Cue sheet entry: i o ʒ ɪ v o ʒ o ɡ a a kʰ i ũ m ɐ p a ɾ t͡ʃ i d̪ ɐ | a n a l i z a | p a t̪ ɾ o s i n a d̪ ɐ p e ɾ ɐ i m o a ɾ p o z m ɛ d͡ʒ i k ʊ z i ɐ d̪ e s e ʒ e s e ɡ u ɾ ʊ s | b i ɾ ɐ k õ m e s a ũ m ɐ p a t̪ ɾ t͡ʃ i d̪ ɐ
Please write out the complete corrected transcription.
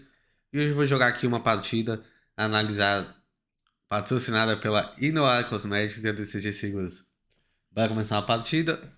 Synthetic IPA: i o ʒ ɪ v o ʒ o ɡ a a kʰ i ũ m ɐ p a ɾ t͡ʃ i d̪ ɐ | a n a l i z a | p a t̪ ɾ o s i n a d̪ ɐ p e l ɐ i n o a ɾ k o z m ɛ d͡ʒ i k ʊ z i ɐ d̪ e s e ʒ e s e ɡ u ɾ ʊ s | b a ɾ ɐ k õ m e s a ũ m ɐ p a ɾ t͡ʃ i d̪ ɐ